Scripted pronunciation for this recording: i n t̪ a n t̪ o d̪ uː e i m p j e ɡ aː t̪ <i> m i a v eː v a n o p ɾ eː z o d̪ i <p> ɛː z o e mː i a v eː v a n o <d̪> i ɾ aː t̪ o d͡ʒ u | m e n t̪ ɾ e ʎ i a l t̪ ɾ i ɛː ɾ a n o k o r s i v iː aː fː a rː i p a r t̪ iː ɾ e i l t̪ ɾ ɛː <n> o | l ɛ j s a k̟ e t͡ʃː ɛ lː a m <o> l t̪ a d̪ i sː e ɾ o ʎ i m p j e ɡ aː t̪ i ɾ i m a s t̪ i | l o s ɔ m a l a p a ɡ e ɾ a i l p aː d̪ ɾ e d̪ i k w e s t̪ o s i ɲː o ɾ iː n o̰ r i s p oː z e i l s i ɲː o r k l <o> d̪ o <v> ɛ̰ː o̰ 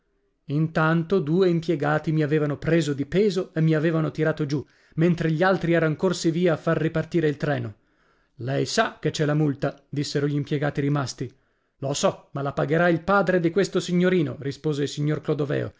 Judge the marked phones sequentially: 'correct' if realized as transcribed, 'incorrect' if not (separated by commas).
correct, correct, incorrect, correct, incorrect, correct, correct